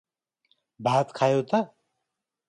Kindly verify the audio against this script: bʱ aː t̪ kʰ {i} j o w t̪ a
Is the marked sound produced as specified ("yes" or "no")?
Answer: no